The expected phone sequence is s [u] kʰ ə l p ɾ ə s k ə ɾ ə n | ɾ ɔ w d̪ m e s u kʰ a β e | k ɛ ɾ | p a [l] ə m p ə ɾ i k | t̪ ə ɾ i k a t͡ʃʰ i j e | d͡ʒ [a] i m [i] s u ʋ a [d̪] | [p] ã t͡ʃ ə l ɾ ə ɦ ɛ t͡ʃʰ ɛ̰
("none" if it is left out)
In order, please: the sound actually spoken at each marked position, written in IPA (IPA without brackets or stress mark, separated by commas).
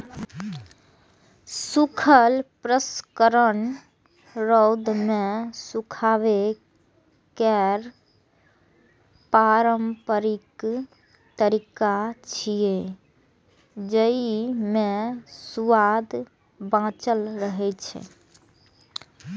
u, ɾ, ə, e, d̪, b